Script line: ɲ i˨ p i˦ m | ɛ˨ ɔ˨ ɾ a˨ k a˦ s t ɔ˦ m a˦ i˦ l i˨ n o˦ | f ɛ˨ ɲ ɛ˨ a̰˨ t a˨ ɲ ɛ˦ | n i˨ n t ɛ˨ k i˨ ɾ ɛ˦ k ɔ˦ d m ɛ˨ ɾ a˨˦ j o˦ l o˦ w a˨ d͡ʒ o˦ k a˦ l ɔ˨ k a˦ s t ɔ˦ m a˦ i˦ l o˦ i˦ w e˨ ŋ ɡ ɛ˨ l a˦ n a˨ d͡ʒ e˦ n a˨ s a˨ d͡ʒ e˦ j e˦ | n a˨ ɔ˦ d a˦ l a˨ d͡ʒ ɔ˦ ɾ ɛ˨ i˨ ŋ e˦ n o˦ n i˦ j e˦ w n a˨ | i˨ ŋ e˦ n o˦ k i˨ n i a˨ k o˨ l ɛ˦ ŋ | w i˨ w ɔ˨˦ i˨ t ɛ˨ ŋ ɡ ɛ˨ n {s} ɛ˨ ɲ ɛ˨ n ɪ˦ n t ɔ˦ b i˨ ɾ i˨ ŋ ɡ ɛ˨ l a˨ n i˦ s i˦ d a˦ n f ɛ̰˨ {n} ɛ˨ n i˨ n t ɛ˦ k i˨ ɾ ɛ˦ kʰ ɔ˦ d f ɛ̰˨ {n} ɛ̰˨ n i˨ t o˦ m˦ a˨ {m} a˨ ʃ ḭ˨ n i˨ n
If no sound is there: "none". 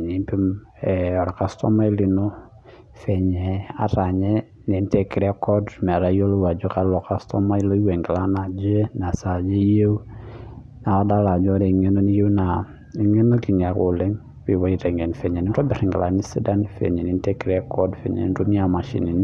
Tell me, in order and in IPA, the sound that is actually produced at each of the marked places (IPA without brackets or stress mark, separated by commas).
f, ɲ, ɲ, m